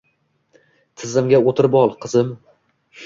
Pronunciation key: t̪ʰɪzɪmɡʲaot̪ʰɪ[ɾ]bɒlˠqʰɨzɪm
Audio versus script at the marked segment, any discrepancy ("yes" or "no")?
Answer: no